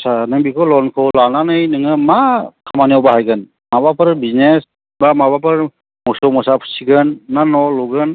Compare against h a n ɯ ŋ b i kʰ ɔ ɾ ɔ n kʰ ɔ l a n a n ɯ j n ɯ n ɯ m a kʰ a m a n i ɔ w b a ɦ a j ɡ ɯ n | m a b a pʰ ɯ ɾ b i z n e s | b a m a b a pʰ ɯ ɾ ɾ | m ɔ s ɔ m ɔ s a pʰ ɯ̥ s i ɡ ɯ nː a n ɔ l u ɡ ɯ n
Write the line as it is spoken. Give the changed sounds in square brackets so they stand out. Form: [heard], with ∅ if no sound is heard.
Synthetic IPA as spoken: [s] a n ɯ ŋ b i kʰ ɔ [l] ɔ n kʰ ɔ l a n a n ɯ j n ɯ [ŋ] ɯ m a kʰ a m a n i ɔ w b a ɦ a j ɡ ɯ n | m a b a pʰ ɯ ɾ b i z n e s | b a m a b a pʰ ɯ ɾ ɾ | m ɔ s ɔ m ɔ s a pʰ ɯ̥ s i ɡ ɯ nː a n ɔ l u ɡ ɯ n